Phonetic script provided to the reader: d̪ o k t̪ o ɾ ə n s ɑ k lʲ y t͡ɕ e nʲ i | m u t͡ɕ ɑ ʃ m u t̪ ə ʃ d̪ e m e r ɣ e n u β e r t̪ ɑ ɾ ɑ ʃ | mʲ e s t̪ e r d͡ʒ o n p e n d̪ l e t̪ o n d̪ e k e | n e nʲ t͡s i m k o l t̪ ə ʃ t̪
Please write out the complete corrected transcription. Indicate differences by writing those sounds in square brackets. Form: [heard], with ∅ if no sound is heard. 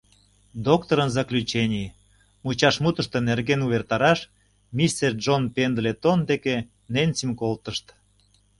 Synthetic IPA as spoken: d̪ o k t̪ o ɾ ə n [z] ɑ k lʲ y t͡ɕ e nʲ i | m u t͡ɕ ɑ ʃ m u t̪ ə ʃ [t̪] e [n] e r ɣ e n u β e r t̪ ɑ ɾ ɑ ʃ | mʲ [i] s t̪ e r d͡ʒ o n p e n d̪ l e t̪ o n d̪ e k e | n e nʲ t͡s i m k o l t̪ ə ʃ t̪